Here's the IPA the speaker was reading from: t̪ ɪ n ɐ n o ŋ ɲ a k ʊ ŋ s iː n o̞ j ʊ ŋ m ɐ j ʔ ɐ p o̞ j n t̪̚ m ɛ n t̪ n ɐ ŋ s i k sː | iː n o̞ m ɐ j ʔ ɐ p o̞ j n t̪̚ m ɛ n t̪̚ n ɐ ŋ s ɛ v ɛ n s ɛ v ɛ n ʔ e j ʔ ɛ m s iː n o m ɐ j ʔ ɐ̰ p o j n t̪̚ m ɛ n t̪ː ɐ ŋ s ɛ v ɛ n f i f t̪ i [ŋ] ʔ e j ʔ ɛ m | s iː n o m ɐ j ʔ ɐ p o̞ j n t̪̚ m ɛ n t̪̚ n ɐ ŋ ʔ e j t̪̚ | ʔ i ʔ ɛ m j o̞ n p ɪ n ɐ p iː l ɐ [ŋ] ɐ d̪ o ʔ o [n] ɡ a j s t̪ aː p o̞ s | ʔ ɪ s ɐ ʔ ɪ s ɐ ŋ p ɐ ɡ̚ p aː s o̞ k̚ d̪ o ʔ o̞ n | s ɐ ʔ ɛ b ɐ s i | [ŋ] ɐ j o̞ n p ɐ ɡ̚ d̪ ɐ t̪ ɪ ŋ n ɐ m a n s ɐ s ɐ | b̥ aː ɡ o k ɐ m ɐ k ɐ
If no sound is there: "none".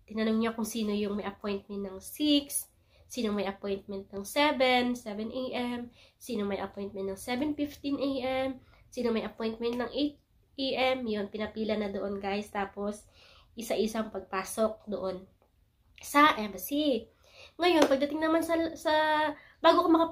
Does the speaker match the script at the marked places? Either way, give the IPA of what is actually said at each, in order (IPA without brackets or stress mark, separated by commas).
n, n, n, ŋ